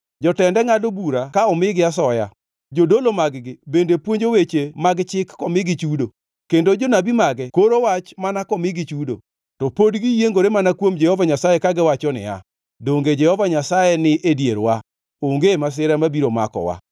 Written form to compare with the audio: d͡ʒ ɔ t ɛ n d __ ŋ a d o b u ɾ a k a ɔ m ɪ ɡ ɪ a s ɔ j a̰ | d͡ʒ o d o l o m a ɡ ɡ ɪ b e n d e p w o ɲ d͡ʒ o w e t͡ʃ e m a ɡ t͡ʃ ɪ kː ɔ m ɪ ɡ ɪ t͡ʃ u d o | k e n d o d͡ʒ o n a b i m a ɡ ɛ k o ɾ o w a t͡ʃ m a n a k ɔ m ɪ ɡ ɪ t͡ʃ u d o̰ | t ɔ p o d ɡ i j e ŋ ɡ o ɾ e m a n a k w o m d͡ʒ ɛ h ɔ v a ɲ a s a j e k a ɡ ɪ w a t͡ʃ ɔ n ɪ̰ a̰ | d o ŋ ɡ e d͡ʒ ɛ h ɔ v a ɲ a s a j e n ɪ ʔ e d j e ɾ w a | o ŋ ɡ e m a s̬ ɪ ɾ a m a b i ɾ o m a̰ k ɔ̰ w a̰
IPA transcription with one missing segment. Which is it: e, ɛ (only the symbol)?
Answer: ɛ